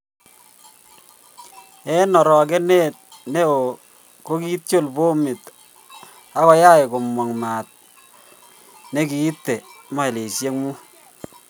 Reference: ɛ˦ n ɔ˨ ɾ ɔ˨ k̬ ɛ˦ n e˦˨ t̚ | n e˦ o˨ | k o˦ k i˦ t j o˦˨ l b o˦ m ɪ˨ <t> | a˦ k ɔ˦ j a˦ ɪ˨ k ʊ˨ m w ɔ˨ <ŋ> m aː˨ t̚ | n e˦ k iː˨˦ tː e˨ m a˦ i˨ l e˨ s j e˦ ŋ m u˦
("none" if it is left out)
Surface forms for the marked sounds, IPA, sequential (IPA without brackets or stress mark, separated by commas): t, ŋ